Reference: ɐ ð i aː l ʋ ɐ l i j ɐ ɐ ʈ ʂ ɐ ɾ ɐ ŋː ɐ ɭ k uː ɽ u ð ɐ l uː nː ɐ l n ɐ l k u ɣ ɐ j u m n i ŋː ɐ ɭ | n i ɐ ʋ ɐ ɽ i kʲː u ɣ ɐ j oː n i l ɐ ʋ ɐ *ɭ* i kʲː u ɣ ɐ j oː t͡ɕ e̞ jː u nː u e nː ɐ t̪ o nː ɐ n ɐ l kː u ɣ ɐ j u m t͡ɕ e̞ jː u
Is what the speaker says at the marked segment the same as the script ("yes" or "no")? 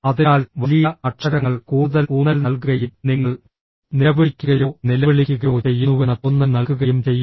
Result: yes